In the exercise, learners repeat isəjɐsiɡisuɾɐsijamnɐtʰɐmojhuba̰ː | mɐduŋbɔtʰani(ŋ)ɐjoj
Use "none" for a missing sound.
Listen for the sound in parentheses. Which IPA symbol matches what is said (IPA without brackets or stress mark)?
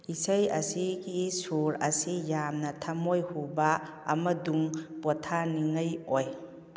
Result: ŋ